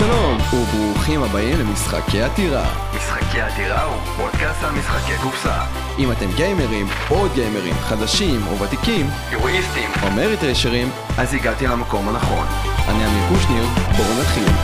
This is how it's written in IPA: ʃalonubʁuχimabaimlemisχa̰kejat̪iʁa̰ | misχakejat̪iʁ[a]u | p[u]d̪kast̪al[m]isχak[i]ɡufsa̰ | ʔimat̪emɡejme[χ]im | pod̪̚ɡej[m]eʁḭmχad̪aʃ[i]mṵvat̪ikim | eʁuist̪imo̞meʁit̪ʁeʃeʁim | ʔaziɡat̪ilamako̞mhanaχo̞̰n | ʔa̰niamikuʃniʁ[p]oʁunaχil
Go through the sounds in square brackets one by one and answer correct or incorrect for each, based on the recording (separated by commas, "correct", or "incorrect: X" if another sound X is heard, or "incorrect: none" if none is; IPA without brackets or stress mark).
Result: correct, incorrect: o, correct, incorrect: e, incorrect: ʁ, correct, correct, incorrect: b